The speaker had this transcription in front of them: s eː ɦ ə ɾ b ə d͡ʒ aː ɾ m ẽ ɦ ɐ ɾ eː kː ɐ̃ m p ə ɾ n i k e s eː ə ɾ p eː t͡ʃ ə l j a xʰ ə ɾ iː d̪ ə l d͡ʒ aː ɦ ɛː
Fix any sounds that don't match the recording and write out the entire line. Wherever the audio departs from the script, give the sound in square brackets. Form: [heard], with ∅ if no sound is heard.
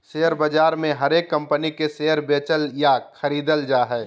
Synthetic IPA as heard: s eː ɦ ə ɾ b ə d͡ʒ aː ɾ m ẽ ɦ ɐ ɾ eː kː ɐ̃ m p ə [∅] n i k e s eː ə ɾ [b] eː t͡ʃ ə l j a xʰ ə ɾ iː d̪ ə l d͡ʒ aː ɦ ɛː